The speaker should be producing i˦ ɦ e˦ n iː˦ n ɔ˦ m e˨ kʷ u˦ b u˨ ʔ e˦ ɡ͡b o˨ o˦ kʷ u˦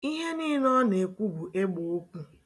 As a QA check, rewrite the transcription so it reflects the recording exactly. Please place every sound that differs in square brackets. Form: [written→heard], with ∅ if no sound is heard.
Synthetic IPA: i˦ ɦ e˦ n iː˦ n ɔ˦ [m→n] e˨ kʷ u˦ b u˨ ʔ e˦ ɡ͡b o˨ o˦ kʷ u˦